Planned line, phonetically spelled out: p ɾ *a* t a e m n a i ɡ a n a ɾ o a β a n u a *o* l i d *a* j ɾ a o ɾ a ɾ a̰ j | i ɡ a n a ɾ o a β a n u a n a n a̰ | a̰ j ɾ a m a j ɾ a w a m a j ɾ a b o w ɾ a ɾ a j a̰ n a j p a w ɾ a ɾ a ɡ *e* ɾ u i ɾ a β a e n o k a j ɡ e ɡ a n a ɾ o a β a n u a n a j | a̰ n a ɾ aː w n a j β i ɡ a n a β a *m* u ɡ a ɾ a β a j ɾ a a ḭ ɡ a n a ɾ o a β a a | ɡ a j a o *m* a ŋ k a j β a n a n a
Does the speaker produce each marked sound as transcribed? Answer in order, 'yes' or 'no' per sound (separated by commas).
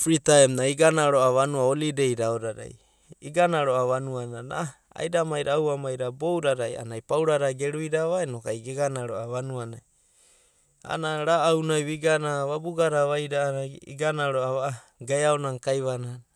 no, yes, no, yes, no, no